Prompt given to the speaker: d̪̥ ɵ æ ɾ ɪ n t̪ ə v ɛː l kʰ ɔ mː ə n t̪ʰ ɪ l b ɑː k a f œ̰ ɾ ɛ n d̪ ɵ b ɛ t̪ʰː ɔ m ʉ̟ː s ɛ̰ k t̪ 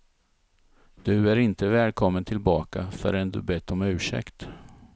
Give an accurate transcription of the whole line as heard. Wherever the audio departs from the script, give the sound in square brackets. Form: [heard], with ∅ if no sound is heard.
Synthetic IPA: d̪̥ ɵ æ ɾ ɪ n t̪ ə v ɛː l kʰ ɔ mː ə n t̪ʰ ɪ l b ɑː k a f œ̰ ɾ ɛ n d̪ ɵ b ɛ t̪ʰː ɔ m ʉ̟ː [ʂ] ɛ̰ k t̪